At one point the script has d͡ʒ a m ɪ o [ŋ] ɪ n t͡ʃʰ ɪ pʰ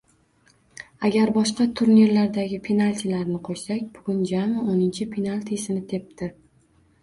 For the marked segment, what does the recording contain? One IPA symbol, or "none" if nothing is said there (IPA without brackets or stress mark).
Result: n